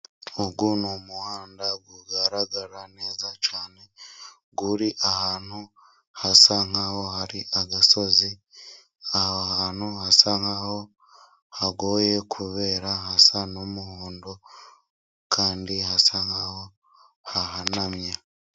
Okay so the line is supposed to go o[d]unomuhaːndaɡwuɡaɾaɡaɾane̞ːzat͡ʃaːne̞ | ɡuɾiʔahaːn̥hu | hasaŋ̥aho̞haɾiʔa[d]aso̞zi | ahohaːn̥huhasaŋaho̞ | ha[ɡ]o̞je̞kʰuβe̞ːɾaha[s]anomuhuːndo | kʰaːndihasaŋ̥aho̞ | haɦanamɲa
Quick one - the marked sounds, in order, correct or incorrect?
incorrect: ɡ, incorrect: ɡ, correct, correct

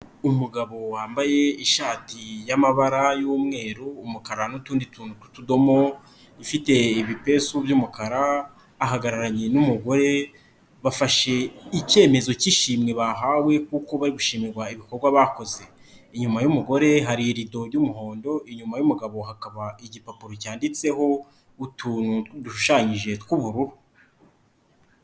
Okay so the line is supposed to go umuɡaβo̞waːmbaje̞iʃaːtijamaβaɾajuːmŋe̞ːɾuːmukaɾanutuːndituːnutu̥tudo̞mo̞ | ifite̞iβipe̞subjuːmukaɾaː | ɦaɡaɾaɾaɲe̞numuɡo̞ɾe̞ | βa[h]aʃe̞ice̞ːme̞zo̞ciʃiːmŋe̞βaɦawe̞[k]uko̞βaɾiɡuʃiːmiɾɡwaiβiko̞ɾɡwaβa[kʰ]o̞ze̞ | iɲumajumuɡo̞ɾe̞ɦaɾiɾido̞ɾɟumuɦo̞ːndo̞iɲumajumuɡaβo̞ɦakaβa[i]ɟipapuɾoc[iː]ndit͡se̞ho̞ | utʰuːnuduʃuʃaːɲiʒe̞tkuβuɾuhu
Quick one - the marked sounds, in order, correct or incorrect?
incorrect: f, correct, incorrect: k, correct, incorrect: aː

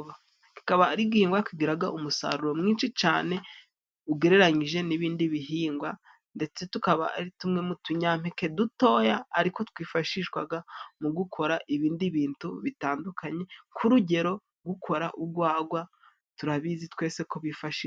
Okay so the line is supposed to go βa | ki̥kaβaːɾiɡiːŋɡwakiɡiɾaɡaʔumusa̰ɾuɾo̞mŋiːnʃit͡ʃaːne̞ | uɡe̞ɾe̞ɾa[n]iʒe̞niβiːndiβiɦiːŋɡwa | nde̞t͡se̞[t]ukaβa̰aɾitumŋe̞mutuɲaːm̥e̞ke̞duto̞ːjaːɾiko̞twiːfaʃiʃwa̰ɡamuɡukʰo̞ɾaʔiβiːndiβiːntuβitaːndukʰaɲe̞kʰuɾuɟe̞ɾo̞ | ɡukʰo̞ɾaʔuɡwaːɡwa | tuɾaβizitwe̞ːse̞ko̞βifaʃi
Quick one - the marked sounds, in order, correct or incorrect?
incorrect: ɲ, correct

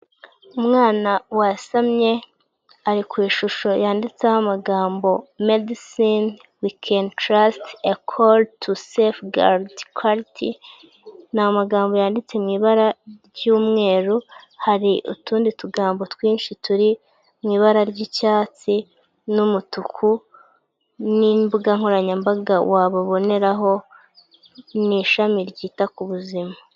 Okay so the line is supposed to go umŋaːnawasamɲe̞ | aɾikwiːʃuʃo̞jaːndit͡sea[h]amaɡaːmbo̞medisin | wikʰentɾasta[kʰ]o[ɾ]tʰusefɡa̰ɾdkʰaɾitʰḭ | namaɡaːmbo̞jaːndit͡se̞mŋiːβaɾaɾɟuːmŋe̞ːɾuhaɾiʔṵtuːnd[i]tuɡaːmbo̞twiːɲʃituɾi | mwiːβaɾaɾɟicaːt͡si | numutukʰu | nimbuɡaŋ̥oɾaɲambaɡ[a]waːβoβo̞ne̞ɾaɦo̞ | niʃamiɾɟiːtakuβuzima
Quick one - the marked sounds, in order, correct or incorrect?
correct, correct, incorrect: l, correct, correct

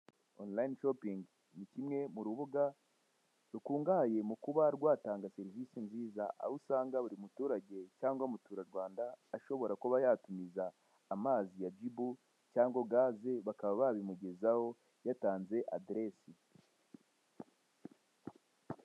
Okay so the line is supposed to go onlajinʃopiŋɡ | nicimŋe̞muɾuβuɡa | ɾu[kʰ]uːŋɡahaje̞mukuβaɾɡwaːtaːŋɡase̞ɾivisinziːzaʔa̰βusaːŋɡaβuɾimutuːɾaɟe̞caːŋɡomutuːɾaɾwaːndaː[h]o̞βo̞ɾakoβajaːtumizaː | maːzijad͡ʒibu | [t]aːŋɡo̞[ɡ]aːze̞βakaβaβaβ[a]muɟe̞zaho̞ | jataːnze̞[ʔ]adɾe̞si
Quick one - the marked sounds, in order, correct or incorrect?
incorrect: k, incorrect: ʃ, incorrect: c, correct, incorrect: i, correct

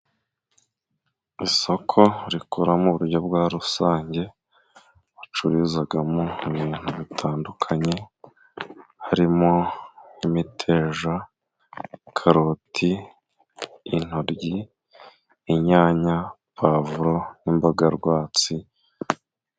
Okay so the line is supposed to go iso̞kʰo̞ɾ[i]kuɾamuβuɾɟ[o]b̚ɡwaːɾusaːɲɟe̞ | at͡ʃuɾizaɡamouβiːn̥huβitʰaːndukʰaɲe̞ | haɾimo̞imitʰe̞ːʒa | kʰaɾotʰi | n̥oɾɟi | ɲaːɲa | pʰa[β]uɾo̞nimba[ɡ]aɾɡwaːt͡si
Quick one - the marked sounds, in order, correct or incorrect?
correct, correct, incorrect: v, correct

